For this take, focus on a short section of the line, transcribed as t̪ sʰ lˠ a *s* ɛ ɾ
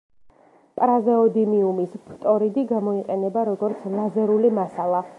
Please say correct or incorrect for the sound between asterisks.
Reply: incorrect